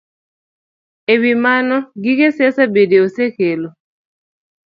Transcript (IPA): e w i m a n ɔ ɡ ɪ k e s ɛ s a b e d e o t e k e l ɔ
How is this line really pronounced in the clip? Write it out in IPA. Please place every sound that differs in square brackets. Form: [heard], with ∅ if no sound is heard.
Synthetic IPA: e w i m a n ɔ ɡ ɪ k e s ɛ s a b e d e o [s] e k e l [o]